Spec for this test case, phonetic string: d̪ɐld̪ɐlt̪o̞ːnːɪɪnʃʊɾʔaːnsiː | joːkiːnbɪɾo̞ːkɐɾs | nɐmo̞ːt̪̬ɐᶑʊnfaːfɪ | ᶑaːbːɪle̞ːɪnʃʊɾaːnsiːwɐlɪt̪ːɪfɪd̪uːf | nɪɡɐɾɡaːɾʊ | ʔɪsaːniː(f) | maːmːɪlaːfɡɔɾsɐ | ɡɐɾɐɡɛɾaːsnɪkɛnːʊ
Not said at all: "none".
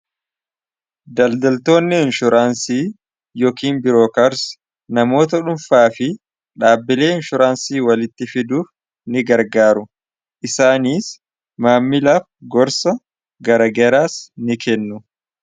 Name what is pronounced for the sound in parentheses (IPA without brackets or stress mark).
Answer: s